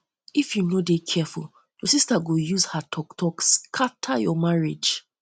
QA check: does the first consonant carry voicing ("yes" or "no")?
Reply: no